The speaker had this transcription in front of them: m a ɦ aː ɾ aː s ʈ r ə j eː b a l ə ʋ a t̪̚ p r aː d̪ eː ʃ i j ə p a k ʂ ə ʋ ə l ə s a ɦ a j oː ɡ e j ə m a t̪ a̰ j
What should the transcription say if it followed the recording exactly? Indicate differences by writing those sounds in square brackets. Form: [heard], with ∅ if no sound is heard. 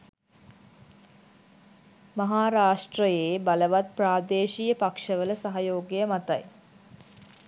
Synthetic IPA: m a ɦ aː ɾ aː [ʂ] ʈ r ə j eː b a l ə ʋ a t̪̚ p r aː d̪ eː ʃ i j ə p a k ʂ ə ʋ ə l ə s a ɦ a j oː ɡ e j ə m a t̪ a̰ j